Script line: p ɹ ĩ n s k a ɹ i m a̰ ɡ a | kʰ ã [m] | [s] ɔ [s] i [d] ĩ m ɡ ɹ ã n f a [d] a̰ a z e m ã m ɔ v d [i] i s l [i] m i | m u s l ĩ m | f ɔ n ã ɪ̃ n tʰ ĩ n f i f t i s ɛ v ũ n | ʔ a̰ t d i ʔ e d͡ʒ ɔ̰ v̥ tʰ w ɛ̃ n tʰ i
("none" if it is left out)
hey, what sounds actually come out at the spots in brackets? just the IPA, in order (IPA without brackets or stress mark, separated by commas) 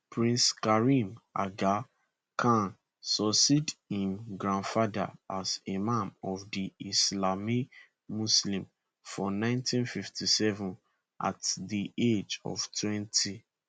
n, s, s, d, d, i, a